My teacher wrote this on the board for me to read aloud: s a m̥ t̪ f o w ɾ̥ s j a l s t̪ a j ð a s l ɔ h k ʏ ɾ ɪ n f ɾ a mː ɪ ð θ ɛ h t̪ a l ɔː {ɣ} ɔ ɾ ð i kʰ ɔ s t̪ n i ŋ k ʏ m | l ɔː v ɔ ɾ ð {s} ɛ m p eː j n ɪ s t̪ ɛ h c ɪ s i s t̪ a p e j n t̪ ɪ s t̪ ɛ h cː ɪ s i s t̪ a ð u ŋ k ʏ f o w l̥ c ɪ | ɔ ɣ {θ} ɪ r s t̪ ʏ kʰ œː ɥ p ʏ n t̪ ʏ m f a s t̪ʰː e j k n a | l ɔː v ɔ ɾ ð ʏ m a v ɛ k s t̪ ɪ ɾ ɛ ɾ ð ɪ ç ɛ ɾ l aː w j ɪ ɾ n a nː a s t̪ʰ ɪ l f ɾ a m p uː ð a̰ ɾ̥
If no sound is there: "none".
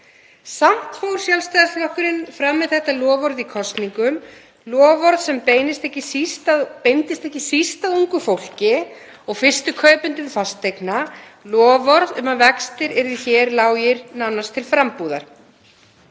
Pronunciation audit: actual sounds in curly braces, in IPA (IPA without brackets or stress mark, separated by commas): v, s, f